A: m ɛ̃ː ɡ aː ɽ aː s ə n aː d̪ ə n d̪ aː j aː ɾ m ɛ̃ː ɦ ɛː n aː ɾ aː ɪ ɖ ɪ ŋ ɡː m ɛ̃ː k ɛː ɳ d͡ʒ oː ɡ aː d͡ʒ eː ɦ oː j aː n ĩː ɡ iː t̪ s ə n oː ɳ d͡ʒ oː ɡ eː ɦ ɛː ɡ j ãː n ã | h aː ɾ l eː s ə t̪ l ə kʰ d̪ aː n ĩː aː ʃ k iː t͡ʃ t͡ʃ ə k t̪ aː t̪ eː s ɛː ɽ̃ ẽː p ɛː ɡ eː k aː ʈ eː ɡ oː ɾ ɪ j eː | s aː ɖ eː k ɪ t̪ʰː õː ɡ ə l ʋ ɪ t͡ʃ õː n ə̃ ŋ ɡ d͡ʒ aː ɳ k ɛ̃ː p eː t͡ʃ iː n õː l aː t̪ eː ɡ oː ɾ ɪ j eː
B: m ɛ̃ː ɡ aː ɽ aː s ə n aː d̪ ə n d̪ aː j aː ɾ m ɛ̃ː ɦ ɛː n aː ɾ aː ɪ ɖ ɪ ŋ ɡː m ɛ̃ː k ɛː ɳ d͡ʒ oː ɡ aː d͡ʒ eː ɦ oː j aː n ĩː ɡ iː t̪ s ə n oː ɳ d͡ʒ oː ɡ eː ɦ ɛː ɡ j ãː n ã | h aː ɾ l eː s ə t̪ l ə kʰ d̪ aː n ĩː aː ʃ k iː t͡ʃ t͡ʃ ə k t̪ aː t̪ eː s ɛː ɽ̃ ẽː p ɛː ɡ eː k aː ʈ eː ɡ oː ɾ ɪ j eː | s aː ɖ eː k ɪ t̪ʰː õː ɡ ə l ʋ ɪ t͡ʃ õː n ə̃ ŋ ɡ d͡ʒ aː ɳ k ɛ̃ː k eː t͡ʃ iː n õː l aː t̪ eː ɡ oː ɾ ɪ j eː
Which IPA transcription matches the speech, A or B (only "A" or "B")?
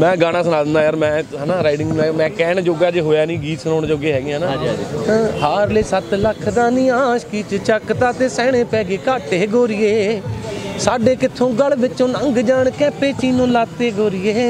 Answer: A